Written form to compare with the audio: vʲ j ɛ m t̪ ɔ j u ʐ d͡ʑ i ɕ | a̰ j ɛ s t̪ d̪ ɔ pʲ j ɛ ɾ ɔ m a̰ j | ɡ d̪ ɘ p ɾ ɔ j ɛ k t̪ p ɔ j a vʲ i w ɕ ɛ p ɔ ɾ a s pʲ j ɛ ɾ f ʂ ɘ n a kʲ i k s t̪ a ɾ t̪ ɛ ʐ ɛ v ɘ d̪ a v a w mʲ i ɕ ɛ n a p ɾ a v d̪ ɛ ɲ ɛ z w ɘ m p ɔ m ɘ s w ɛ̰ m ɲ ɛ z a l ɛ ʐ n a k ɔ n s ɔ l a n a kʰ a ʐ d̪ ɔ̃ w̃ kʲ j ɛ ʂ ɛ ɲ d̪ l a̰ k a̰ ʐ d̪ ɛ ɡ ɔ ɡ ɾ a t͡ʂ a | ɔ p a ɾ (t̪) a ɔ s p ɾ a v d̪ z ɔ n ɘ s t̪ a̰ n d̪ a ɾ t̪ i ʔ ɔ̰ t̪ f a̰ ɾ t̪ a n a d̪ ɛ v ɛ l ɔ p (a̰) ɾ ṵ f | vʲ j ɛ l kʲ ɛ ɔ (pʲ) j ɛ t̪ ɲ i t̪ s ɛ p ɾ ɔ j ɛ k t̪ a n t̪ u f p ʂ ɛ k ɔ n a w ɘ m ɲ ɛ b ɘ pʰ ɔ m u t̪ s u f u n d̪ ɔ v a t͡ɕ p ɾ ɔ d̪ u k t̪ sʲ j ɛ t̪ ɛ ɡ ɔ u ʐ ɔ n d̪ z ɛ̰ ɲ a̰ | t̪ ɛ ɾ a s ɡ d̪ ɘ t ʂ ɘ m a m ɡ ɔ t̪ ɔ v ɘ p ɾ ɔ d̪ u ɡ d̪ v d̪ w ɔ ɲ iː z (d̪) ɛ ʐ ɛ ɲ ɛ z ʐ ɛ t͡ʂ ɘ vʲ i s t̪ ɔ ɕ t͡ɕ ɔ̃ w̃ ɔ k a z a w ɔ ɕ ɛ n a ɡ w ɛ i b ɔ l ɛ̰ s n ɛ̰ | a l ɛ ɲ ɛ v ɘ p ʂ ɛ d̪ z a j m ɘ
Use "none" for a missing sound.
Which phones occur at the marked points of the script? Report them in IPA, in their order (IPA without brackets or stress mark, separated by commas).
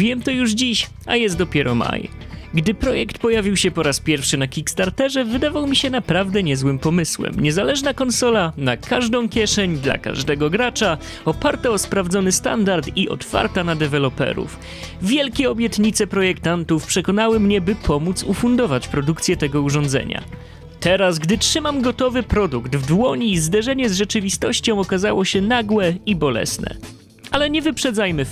t̪, ɛ̰, bʲ, d̪